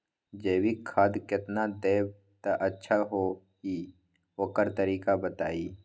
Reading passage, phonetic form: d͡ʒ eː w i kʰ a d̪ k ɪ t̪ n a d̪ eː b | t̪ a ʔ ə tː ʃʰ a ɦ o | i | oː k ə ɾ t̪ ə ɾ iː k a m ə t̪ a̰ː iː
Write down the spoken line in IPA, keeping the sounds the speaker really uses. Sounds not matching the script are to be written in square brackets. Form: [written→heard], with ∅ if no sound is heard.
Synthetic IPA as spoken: d͡ʒ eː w i kʰ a d̪ k ɪ t̪ n a d̪ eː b | t̪ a ʔ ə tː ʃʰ a ɦ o | i | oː k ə ɾ t̪ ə ɾ iː k a [m→b] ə t̪ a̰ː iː